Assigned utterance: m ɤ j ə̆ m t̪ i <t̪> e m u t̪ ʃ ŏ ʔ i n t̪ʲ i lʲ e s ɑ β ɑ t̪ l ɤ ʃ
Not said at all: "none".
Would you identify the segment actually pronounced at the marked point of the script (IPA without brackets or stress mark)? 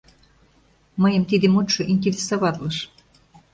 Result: d̪